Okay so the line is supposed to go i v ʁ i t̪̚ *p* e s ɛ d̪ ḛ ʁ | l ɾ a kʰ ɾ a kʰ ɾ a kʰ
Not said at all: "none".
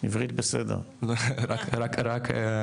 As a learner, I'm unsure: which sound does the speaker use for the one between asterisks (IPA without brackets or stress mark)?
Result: b